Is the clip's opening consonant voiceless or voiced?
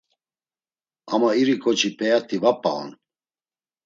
voiced